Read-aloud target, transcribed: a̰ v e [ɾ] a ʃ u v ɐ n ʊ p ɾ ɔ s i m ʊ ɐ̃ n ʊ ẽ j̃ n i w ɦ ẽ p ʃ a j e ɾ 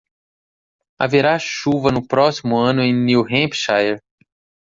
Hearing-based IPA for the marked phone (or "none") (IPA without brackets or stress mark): ɾ